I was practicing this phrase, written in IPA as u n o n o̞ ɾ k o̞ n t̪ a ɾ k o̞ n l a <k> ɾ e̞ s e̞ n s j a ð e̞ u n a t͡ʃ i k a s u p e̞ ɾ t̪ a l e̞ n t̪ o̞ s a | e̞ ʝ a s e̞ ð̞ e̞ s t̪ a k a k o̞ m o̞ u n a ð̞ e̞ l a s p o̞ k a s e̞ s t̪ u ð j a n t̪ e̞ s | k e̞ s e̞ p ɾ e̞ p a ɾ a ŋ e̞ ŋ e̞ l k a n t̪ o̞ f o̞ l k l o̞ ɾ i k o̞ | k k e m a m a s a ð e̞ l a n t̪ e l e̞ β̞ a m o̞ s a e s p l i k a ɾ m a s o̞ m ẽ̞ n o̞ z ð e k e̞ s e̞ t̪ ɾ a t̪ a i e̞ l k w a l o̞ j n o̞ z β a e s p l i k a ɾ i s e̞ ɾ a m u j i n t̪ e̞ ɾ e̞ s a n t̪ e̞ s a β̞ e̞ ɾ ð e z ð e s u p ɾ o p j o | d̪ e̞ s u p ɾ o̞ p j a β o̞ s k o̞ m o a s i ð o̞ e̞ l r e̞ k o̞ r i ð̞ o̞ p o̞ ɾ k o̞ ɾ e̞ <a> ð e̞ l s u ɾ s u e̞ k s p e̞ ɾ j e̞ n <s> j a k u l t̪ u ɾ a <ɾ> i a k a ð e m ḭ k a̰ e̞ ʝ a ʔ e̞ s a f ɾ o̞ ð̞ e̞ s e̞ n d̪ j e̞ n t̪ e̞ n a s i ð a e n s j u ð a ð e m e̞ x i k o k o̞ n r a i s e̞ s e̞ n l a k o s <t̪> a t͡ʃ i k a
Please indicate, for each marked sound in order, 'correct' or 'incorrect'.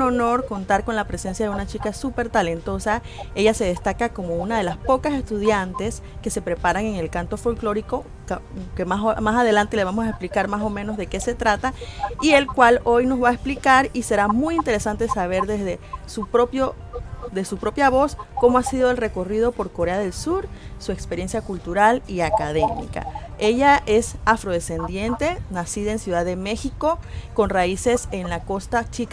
incorrect, correct, correct, incorrect, correct

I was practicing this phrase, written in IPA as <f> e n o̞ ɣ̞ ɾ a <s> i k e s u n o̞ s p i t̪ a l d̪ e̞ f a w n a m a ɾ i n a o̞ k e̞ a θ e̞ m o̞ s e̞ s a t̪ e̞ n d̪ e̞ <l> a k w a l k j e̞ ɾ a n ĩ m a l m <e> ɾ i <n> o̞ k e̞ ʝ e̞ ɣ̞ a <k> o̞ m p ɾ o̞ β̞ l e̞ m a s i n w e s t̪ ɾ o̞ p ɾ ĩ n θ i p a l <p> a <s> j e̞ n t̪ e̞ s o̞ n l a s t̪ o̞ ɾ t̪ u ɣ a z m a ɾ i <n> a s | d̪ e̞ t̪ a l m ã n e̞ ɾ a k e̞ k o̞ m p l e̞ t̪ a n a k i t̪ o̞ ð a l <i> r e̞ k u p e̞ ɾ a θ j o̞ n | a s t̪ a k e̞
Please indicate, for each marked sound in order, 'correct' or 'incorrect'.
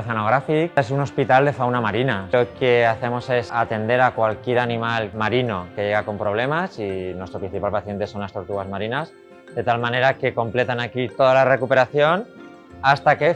incorrect, incorrect, incorrect, incorrect, correct, correct, correct, incorrect, correct, incorrect

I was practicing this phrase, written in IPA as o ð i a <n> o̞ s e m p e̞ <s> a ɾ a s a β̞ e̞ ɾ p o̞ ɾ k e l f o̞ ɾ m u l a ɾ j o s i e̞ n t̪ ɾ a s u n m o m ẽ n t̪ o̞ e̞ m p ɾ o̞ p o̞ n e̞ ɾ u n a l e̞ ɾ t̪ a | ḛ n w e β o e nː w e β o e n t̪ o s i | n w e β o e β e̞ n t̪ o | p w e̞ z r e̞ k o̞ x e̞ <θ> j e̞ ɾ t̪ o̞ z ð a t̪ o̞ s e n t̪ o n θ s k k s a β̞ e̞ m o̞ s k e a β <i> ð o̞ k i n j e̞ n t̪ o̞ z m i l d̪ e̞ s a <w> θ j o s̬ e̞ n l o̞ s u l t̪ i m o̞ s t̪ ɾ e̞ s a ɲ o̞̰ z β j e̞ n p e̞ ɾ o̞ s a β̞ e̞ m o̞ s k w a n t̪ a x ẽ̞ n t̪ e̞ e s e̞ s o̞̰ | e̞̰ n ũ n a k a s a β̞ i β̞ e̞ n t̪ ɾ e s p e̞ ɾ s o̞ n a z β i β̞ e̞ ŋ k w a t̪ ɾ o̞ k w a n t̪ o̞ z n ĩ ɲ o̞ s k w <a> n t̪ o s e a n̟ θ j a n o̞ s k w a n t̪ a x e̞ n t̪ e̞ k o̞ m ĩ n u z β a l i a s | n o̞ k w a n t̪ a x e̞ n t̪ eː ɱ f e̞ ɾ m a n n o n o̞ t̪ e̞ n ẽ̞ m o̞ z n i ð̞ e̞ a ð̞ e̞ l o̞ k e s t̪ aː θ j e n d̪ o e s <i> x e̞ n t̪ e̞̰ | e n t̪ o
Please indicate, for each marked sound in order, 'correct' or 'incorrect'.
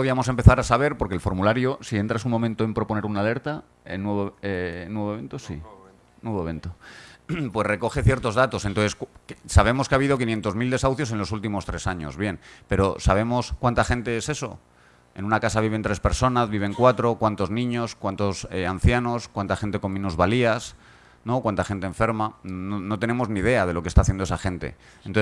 incorrect, incorrect, correct, correct, correct, correct, incorrect

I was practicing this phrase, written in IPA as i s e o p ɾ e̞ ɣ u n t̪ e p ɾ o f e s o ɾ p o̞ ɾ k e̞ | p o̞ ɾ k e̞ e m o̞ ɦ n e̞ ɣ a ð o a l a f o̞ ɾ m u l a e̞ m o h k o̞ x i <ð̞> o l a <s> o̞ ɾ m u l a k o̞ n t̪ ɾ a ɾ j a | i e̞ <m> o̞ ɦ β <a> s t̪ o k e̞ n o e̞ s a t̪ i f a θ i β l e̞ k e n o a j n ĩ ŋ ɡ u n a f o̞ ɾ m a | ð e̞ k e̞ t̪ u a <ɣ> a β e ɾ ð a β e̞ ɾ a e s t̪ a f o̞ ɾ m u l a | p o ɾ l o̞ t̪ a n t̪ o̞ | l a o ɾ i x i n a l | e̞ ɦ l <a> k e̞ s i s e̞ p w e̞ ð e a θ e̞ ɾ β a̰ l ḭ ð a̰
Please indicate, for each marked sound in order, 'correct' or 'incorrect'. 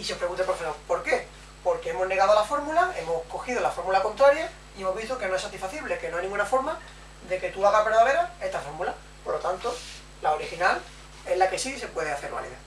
correct, incorrect, correct, incorrect, correct, correct

